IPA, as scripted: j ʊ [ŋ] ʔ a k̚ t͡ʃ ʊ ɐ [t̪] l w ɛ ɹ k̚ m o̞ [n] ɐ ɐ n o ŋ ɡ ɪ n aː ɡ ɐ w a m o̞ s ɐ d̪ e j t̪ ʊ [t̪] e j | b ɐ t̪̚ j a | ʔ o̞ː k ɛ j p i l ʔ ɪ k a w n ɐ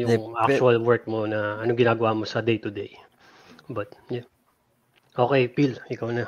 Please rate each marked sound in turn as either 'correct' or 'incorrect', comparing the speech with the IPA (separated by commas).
correct, incorrect, correct, incorrect